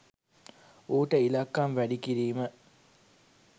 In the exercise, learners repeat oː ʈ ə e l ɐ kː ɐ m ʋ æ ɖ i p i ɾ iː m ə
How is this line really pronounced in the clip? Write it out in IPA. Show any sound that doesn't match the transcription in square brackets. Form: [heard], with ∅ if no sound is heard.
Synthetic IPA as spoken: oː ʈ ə [i] l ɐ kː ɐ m ʋ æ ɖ i [k] i ɾ iː m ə